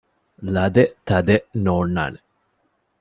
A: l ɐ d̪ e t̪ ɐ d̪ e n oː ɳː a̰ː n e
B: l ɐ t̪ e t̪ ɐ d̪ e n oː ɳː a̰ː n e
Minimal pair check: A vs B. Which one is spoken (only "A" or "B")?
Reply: A